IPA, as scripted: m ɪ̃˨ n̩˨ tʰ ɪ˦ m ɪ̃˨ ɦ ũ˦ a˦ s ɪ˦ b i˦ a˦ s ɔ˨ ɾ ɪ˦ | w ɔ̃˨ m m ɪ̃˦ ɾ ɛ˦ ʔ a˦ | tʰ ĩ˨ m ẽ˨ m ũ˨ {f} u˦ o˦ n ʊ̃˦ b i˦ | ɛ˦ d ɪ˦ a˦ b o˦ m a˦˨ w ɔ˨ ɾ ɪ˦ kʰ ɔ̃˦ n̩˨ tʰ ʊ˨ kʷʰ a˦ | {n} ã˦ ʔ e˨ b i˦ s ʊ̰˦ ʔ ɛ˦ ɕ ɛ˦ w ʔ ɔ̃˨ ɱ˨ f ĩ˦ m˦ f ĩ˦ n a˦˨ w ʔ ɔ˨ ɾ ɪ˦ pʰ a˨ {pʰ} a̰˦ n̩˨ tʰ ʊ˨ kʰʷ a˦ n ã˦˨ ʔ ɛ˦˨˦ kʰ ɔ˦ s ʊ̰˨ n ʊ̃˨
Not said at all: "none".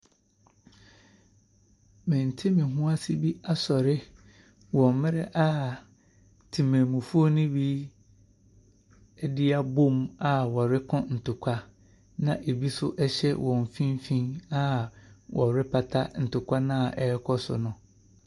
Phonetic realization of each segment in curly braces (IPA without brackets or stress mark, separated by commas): f, n, tʰ